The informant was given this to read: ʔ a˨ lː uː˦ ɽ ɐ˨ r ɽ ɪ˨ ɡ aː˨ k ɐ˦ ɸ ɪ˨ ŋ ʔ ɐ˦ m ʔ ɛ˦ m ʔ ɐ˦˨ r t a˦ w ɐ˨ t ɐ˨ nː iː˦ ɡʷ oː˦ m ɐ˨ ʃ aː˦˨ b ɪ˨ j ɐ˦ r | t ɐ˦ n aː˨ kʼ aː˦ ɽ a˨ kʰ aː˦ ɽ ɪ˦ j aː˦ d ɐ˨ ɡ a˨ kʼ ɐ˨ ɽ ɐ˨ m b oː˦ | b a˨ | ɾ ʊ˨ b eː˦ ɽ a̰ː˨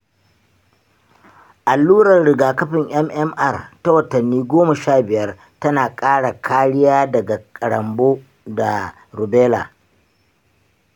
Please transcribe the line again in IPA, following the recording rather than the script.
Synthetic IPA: ʔ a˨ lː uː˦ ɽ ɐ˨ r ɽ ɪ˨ ɡ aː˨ k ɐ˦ ɸ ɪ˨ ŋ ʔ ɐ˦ m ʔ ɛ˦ m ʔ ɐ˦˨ r t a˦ w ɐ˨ t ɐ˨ nː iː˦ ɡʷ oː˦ m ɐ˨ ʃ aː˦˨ b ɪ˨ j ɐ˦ r | t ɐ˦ n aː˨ kʼ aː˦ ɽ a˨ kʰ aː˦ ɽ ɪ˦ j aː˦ d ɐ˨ ɡ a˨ kʼ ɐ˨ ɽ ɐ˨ m b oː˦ | d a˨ | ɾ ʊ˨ b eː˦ l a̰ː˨